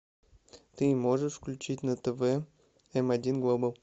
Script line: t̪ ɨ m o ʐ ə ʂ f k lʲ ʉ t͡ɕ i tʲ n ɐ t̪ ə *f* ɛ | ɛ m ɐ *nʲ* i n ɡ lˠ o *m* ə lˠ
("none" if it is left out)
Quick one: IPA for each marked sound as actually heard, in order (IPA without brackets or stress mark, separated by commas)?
v, dʲ, b